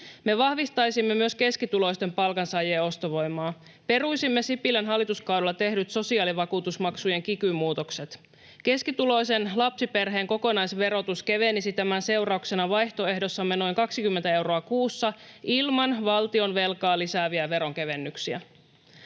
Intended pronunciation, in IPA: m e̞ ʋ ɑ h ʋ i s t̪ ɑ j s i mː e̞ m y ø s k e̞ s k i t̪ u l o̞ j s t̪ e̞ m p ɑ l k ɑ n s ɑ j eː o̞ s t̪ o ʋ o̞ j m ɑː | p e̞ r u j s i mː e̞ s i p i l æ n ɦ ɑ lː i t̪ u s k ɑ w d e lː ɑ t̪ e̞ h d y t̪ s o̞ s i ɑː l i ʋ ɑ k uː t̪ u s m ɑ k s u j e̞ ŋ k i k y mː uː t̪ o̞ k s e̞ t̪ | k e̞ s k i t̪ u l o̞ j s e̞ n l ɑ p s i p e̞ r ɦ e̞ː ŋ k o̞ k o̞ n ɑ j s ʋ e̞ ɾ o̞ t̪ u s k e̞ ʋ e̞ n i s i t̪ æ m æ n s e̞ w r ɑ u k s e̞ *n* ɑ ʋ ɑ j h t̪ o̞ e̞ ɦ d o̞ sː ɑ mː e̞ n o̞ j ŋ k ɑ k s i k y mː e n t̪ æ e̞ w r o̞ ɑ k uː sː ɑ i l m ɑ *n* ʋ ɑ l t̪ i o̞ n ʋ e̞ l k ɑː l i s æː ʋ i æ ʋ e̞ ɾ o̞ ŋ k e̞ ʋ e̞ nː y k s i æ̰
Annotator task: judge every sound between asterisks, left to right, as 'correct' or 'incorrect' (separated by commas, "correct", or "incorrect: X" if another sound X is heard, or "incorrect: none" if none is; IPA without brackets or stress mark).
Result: correct, correct